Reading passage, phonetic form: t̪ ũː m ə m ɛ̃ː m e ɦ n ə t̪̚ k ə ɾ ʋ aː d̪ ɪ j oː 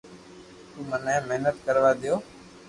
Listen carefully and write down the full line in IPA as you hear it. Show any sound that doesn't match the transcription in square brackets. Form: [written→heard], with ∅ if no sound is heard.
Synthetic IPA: t̪ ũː m ə [m→n] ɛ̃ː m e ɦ n ə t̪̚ k ə ɾ ʋ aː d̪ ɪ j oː